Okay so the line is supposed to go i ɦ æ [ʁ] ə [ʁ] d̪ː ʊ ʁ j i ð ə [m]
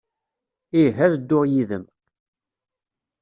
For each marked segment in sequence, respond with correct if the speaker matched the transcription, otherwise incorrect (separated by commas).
incorrect, incorrect, correct